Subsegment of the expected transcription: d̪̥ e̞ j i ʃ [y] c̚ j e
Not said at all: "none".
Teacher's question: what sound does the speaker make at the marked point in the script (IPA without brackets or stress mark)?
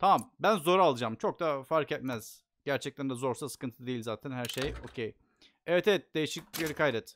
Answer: i